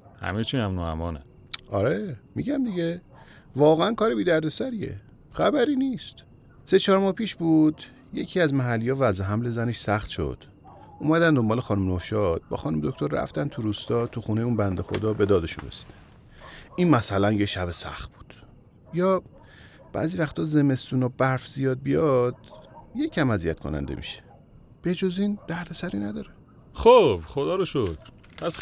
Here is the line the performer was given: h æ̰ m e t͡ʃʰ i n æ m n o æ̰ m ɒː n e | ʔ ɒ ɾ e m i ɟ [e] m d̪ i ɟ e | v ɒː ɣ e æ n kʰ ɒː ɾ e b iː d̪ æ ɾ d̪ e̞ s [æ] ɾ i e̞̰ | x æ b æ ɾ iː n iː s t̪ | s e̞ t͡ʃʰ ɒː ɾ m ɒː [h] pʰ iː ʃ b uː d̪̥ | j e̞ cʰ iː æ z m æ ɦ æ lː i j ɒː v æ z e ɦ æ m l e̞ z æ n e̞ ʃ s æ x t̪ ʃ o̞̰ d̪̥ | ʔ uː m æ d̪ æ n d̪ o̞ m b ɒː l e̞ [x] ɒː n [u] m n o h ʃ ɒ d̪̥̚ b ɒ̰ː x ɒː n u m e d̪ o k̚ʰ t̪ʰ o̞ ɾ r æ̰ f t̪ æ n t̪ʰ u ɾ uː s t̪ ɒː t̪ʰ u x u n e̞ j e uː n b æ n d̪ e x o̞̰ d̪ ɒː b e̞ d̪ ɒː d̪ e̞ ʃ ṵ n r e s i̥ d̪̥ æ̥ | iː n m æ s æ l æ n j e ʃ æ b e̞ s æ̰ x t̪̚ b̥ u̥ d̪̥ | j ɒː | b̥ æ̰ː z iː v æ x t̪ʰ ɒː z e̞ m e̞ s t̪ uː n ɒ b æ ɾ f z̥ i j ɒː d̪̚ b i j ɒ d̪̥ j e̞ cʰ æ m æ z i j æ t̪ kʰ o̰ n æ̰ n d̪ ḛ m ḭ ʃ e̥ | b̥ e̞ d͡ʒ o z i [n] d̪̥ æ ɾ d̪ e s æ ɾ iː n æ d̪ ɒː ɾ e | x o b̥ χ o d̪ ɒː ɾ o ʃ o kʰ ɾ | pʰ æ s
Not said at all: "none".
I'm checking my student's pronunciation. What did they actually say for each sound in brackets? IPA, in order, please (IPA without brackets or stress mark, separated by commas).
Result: æ, æ, h, x, u, n